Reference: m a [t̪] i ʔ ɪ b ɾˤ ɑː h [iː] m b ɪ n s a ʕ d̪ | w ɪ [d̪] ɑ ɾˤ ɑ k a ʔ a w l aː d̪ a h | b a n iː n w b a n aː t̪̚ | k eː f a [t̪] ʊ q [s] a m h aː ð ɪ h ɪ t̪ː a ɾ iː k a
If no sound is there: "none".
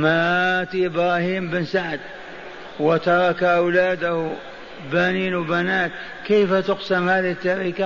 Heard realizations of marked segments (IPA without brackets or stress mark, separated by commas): t̪, iː, t̪, t̪, s